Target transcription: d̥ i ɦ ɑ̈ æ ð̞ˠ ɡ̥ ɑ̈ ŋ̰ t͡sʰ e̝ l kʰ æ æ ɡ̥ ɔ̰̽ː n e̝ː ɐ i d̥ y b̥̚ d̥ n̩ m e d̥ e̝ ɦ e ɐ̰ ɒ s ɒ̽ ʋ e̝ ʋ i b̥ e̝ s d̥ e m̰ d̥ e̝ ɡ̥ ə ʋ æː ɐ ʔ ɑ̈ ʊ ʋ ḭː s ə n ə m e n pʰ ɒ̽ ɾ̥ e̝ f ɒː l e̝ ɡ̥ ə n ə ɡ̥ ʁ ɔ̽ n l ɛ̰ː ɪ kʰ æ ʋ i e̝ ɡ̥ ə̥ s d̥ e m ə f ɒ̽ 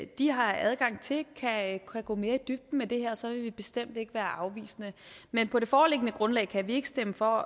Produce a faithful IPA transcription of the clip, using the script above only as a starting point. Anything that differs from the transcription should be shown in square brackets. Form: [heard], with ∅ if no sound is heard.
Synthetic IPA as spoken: d̥ i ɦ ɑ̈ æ ð̞ˠ ɡ̥ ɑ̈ ŋ̰ t͡sʰ e̝ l kʰ æ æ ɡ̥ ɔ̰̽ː [m] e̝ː ɐ i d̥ y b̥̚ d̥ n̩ m e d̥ e̝ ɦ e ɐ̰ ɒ s ɒ̽ ʋ e̝ ʋ i b̥ e̝ s d̥ e m̰ d̥ e̝ ɡ̥ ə ʋ æː ɐ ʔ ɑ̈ ʊ ʋ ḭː s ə n ə m e n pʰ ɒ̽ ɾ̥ e̝ f ɒː l e̝ ɡ̥ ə n ə ɡ̥ ʁ ɔ̽ n l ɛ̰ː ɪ kʰ æ ʋ i e̝ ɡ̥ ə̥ s d̥ e m ə f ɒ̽